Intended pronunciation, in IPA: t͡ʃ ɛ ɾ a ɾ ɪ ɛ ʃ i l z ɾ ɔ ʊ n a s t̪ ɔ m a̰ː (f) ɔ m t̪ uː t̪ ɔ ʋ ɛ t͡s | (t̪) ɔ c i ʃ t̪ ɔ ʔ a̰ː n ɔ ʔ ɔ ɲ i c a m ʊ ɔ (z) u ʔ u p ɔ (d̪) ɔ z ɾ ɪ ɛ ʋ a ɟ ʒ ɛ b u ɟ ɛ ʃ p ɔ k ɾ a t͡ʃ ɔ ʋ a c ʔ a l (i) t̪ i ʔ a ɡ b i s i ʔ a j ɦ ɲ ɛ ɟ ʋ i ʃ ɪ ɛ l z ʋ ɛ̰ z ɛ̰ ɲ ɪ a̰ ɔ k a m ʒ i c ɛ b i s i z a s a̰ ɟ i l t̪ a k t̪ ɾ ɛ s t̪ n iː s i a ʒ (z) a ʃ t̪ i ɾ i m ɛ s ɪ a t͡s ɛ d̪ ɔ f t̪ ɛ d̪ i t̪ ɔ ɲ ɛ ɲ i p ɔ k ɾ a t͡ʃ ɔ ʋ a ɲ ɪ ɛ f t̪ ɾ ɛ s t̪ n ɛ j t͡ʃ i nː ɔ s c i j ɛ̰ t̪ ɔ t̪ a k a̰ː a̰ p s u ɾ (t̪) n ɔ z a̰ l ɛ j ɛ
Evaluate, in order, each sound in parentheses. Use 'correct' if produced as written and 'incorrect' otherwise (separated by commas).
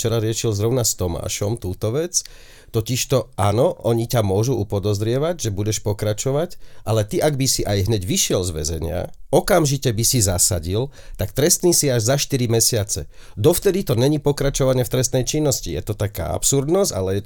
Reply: incorrect, correct, incorrect, correct, incorrect, correct, incorrect